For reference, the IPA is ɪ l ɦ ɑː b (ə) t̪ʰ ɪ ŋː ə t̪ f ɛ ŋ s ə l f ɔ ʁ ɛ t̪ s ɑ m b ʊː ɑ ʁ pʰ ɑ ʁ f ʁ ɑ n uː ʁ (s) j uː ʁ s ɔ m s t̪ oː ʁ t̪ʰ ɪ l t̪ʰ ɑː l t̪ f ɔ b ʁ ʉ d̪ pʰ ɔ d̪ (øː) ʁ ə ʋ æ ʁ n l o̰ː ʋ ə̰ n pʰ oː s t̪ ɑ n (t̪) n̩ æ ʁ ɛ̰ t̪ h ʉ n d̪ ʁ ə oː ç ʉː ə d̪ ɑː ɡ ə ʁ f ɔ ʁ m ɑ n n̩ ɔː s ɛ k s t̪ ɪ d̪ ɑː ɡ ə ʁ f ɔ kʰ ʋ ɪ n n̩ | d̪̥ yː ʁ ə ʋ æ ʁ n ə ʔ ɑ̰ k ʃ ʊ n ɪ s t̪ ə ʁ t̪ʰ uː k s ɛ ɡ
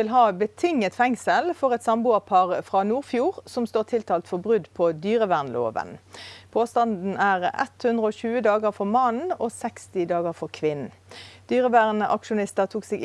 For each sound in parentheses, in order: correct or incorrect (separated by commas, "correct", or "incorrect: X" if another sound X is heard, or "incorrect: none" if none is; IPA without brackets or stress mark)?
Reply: correct, incorrect: f, incorrect: yː, incorrect: d̪